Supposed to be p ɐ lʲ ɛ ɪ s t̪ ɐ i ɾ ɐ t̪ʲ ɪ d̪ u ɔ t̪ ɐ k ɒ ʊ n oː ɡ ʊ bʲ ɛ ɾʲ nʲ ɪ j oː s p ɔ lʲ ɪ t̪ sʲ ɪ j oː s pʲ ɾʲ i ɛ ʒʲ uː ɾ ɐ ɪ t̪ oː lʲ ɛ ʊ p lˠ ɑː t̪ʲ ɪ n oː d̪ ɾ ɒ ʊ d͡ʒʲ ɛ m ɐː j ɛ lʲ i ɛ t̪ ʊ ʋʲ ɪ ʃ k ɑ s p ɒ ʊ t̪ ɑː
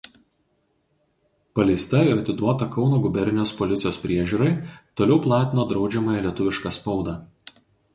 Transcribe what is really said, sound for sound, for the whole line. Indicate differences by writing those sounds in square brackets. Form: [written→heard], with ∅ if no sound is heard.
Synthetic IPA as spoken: p ɐ lʲ ɛ ɪ s t̪ ɐ [i→ɪ] ɾ ɐ t̪ʲ ɪ d̪ u ɔ t̪ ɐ k ɒ ʊ n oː ɡ ʊ bʲ ɛ ɾʲ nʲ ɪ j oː s p ɔ lʲ ɪ t̪ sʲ ɪ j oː s pʲ ɾʲ i ɛ ʒʲ uː ɾ ɐ ɪ t̪ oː lʲ ɛ ʊ p lˠ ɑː t̪ʲ ɪ n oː d̪ ɾ ɒ ʊ d͡ʒʲ ɛ m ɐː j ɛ lʲ i ɛ t̪ ʊ ʋʲ ɪ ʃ k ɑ s p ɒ ʊ [t̪→d̪] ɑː